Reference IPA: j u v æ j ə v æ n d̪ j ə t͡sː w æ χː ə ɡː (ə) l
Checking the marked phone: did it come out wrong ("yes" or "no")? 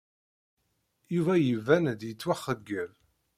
no